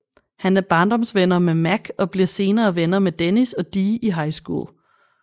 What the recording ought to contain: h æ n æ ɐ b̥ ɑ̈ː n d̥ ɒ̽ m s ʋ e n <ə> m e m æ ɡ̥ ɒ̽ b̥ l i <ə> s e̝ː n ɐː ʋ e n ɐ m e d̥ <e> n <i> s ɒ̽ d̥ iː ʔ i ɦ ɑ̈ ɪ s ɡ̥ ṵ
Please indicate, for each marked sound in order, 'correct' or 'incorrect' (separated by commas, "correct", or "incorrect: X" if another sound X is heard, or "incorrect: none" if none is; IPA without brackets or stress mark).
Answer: incorrect: ɐ, incorrect: ɐ, correct, correct